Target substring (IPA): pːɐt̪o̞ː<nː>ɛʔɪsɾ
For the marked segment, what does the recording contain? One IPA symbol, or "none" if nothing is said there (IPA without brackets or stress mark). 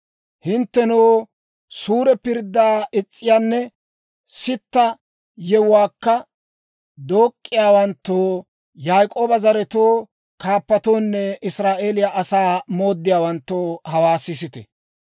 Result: nː